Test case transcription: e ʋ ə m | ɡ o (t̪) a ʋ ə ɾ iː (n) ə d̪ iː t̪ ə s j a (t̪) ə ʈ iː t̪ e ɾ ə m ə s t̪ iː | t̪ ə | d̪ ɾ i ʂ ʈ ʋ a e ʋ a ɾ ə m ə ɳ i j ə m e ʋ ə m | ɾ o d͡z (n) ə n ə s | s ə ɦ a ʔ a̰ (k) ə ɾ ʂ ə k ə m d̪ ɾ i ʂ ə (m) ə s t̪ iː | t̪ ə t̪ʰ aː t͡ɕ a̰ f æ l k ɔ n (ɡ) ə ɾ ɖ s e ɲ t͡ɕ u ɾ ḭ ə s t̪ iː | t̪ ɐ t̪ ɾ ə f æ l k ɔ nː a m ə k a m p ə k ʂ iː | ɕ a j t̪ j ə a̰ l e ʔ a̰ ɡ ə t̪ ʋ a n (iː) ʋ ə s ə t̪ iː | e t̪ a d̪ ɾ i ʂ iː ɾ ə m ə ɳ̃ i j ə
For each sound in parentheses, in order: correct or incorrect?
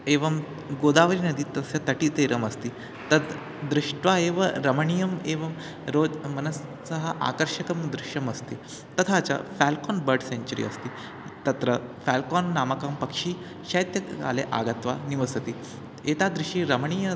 incorrect: d̪, correct, correct, incorrect: m, correct, correct, incorrect: b, incorrect: i

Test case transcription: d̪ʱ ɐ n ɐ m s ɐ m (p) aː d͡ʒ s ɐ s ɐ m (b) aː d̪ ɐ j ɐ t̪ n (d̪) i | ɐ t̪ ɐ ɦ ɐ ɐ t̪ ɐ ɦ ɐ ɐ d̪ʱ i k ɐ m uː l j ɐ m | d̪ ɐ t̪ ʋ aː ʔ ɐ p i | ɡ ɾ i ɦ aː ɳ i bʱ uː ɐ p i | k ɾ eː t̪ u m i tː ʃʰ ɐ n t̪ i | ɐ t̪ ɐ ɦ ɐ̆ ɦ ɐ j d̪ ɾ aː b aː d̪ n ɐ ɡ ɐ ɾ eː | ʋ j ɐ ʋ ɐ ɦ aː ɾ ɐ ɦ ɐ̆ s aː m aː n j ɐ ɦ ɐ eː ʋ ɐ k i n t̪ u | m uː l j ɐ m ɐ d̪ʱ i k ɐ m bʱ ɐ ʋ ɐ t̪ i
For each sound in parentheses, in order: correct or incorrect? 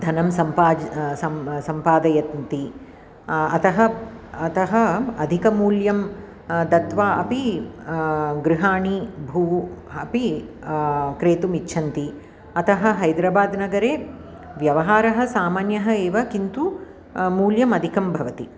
correct, incorrect: p, incorrect: t̪

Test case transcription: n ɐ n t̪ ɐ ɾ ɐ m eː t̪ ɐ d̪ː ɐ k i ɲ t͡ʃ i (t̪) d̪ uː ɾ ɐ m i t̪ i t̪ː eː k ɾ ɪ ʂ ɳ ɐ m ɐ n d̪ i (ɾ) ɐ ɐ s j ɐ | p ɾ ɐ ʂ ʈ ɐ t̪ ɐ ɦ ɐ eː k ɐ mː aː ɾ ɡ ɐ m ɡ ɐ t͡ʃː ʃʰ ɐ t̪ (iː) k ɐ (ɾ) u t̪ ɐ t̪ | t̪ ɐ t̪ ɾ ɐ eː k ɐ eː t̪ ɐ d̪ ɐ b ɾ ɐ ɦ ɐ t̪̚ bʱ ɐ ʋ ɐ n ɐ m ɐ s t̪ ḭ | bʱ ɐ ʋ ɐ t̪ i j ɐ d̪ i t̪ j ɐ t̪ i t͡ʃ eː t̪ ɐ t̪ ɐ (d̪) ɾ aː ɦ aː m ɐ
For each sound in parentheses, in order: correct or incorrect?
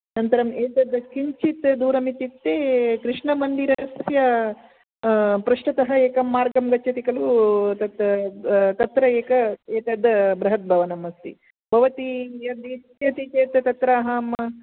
correct, correct, incorrect: i, incorrect: l, incorrect: t̪

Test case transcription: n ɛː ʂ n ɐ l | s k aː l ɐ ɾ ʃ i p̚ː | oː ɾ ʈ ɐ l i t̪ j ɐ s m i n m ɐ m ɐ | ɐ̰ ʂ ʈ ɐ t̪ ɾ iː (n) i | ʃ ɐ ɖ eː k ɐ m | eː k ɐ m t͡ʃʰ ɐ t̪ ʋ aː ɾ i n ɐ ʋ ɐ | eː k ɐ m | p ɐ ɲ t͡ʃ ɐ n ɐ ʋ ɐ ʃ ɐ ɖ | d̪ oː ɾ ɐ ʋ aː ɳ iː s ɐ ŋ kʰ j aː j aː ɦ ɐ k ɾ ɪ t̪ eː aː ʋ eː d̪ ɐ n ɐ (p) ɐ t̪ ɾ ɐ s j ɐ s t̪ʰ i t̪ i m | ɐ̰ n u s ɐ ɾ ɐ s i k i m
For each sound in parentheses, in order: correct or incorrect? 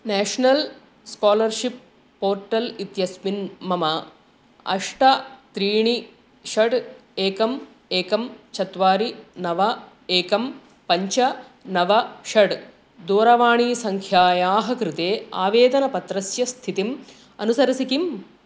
incorrect: ɳ, correct

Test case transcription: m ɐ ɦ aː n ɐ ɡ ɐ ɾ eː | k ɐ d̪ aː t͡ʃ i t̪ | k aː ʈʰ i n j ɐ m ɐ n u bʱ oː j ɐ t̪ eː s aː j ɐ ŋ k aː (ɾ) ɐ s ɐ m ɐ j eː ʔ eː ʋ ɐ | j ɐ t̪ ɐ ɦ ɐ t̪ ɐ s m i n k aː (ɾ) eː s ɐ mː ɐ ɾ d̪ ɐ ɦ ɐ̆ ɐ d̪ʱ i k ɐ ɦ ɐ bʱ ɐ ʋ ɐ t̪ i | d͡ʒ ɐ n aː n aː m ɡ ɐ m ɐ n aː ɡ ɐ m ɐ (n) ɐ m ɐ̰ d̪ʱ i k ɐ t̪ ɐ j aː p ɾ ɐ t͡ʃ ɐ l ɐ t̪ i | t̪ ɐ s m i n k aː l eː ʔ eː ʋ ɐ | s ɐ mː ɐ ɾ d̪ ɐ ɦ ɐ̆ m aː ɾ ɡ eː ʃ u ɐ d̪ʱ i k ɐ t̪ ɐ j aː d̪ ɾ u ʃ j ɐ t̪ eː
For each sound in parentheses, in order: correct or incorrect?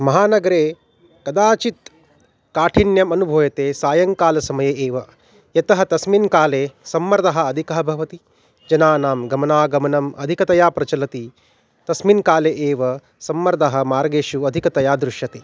incorrect: l, incorrect: l, correct

